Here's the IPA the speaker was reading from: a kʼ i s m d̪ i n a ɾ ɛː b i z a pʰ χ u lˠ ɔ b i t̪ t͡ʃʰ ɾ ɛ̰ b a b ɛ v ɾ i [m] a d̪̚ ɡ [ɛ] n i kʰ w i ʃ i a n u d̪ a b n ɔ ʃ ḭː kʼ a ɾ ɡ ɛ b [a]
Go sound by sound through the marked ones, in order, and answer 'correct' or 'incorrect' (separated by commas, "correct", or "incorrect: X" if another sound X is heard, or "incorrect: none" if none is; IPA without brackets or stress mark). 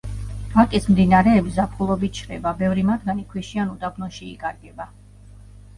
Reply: correct, incorrect: a, correct